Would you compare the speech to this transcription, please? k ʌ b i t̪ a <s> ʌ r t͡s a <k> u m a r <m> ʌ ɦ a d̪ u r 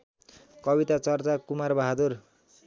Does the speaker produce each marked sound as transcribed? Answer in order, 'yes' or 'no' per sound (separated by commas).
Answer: no, yes, no